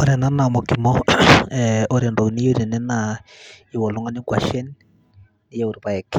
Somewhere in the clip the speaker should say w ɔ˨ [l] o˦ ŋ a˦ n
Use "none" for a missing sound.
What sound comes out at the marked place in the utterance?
l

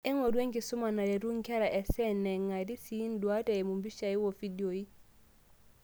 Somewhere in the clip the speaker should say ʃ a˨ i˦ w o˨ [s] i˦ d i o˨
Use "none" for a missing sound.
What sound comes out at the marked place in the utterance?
f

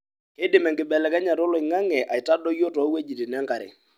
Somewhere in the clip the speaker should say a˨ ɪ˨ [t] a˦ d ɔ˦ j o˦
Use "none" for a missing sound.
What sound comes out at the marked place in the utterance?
t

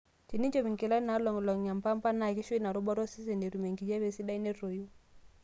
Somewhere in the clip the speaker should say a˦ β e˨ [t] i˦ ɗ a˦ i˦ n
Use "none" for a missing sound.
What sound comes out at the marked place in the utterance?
s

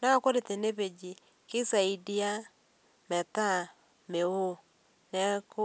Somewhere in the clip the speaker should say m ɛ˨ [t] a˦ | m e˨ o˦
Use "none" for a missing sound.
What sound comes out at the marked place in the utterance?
t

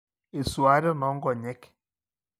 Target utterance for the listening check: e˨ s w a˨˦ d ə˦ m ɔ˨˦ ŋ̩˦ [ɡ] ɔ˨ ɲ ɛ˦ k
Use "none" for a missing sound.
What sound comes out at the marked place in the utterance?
ɡ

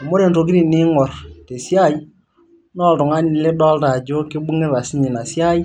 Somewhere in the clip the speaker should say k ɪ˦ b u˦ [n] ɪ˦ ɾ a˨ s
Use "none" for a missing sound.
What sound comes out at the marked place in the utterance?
ŋ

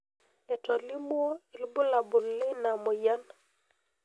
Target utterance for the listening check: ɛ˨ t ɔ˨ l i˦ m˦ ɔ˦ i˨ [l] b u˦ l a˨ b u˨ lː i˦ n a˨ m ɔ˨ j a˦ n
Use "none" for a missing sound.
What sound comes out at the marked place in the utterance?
l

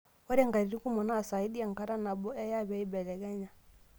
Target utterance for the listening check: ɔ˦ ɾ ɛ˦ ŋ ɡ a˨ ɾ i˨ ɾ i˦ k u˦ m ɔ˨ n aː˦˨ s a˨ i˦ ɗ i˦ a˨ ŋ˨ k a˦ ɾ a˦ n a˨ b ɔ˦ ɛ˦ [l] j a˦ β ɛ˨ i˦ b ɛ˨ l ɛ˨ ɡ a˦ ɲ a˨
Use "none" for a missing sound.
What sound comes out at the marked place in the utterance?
none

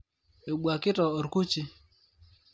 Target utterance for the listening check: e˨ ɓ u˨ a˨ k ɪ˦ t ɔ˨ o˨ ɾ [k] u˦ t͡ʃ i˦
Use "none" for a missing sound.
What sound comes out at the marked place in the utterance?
k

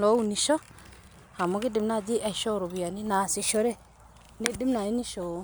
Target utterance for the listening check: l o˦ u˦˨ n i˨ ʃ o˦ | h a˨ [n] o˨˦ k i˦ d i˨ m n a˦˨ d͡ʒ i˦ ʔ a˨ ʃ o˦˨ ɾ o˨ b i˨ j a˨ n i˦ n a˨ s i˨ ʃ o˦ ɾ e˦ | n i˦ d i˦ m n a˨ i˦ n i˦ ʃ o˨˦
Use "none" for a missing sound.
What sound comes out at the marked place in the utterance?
m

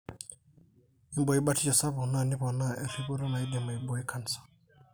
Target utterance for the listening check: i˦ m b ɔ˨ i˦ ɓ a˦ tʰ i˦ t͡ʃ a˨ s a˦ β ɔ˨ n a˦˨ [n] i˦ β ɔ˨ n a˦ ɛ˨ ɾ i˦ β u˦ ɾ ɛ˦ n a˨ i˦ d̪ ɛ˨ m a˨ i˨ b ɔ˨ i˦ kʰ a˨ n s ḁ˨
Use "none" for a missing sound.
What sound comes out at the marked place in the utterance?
n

